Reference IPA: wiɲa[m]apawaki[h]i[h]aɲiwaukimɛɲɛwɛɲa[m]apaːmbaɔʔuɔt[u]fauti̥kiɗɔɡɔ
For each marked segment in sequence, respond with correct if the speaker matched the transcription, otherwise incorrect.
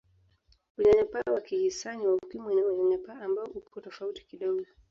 incorrect: ɲ, correct, incorrect: s, incorrect: ɲ, incorrect: ɔ

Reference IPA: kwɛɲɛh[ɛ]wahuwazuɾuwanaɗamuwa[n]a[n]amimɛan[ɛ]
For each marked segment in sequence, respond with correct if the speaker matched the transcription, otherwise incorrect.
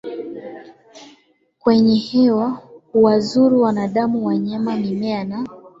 correct, incorrect: ɲ, incorrect: m, incorrect: a

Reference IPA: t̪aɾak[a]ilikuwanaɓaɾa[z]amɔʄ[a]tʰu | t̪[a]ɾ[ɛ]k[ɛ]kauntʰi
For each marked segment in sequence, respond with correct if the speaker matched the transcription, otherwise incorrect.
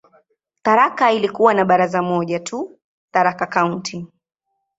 correct, correct, correct, correct, incorrect: a, incorrect: a

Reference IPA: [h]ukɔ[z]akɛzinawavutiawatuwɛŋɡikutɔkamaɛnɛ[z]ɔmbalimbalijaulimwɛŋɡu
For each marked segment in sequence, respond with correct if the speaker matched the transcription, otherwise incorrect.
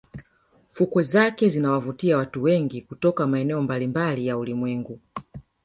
incorrect: f, correct, incorrect: none

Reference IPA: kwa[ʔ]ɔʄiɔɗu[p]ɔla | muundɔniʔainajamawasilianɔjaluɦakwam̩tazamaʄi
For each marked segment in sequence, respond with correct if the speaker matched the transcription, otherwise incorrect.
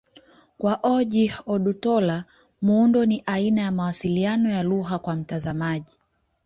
correct, incorrect: t

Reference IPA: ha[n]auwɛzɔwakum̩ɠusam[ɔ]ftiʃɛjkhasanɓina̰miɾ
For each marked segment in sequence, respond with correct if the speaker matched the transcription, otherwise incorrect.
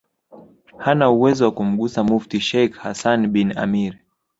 correct, incorrect: u

